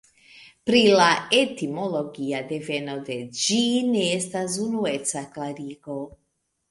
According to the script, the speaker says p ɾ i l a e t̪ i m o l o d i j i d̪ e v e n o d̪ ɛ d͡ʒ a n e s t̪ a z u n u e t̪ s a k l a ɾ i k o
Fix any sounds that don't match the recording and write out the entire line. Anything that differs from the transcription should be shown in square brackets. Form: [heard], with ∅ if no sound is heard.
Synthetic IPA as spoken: p ɾ i l a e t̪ i m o l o [ɡ] i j [a] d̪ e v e n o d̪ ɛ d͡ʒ [i] n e s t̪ a z u n u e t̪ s a k l a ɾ i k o